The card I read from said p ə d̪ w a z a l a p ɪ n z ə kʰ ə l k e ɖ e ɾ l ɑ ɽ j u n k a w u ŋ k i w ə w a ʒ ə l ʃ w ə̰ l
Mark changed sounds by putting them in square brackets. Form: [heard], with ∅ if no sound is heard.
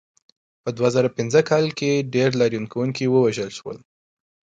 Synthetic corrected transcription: p ə d̪ w a z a [ɾ] a p ɪ n z ə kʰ [ɑ] l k e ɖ e ɾ l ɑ [ɾ] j u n k a w u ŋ k i w ə w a ʒ ə l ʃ w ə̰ l